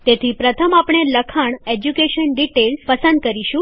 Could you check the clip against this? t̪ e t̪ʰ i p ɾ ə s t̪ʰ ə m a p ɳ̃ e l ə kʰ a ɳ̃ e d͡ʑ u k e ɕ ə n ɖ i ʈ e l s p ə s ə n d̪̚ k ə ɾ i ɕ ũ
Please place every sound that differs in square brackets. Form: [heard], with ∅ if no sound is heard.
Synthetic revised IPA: t̪ e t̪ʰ i p ɾ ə [∅] t̪ʰ ə m a p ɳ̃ e l ə kʰ a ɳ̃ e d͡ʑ u k e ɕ ə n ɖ i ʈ e l s p ə s ə n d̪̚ k ə ɾ i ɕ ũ